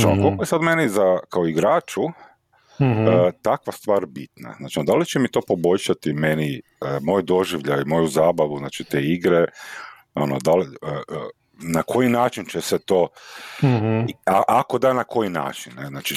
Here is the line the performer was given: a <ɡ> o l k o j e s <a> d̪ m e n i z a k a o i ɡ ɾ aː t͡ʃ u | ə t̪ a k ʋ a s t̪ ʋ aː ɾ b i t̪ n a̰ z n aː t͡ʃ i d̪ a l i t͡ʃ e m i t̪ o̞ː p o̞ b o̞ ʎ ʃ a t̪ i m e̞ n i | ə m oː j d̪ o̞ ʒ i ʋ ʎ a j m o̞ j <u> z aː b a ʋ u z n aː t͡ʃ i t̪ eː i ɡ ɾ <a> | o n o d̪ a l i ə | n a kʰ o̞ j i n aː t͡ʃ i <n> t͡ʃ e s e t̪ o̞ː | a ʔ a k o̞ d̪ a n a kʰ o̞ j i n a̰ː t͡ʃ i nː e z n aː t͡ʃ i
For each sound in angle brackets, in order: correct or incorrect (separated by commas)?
incorrect, correct, correct, incorrect, correct